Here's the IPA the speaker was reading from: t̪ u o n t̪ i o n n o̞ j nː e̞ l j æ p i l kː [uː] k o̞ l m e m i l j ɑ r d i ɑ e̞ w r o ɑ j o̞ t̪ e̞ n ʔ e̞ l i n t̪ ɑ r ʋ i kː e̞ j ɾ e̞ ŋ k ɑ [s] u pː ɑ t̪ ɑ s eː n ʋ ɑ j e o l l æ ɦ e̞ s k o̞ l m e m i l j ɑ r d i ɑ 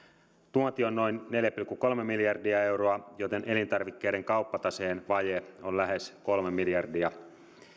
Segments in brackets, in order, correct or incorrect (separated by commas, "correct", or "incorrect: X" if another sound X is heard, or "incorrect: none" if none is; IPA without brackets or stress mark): incorrect: u, incorrect: none